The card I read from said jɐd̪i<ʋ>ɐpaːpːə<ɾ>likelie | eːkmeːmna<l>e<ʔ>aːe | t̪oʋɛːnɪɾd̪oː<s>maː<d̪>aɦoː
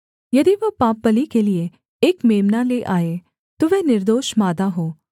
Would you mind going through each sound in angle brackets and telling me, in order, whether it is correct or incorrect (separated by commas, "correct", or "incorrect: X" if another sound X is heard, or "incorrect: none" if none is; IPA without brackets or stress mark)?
correct, incorrect: none, correct, correct, incorrect: ʃ, correct